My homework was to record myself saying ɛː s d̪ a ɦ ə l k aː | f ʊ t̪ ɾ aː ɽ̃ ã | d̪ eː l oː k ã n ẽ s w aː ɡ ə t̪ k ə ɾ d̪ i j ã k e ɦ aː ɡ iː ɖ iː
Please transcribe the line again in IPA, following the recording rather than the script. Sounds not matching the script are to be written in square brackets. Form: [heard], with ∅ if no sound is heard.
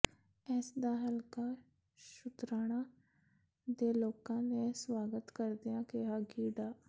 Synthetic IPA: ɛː s d̪ a ɦ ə l k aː | [ʃ] ʊ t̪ ɾ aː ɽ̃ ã | d̪ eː l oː k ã n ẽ s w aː ɡ ə t̪ k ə ɾ d̪ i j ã k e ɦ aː ɡ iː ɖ [aː]